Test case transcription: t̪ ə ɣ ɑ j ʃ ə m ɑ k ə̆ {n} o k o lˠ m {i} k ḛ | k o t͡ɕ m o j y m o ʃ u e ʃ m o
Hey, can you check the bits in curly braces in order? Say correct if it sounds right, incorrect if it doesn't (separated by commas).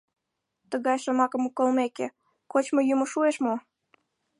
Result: incorrect, incorrect